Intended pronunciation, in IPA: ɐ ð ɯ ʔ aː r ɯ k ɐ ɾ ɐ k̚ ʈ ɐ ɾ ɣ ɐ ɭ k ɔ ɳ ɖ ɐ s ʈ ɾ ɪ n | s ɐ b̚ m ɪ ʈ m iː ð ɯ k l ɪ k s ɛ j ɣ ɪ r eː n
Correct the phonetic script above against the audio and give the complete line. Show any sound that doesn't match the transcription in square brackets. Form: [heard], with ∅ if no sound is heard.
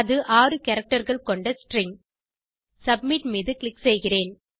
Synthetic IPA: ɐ ð ɯ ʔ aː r ɯ k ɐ ɾ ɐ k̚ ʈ ɐ ɾ ɣ ɐ ɭ k ɔ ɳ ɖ ɐ s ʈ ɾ ɪ [ŋ] | s ɐ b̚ m ɪ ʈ m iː ð ɯ k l ɪ k s ɛ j ɣ ɪ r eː n